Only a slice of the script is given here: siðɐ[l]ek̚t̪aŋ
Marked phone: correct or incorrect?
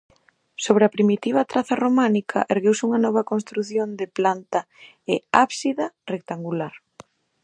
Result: incorrect